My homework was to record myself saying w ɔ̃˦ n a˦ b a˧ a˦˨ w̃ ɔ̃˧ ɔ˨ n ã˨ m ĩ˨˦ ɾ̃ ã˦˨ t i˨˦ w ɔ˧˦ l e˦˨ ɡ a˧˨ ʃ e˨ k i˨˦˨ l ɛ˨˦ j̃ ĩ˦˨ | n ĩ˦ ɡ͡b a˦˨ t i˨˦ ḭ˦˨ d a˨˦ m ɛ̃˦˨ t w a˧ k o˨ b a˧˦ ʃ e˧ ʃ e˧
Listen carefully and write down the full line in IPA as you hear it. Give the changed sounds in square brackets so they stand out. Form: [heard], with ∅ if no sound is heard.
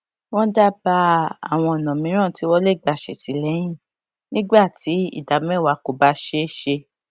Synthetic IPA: w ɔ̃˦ [d] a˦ b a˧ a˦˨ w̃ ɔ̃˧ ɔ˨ n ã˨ m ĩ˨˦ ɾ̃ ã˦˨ t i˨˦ w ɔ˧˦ l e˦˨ [ɡ͡b] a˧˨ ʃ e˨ [t] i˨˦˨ l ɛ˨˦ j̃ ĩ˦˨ | n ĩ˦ ɡ͡b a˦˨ t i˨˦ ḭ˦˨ d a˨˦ m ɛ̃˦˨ [∅] w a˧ k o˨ b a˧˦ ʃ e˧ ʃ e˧